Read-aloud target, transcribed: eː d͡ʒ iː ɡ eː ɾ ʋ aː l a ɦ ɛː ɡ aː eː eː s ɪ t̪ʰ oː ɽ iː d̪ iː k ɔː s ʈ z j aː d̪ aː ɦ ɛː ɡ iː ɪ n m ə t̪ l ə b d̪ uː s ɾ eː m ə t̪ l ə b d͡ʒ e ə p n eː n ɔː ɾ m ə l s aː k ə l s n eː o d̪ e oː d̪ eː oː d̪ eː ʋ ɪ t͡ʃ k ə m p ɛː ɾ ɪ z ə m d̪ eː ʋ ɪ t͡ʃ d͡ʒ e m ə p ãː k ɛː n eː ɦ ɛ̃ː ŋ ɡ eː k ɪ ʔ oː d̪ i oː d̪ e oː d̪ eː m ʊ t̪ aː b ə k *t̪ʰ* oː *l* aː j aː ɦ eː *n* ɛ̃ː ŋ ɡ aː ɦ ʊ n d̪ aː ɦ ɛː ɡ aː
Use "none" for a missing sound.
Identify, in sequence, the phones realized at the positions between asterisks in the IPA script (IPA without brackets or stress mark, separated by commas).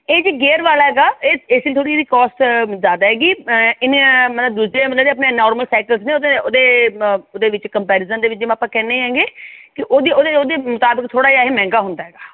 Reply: t̪ʰ, ɽ, m